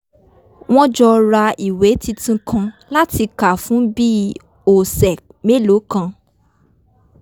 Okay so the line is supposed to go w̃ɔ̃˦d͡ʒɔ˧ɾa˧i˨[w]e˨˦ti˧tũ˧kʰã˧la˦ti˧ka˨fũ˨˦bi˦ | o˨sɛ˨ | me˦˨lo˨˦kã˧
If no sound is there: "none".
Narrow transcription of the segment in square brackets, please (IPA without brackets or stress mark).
w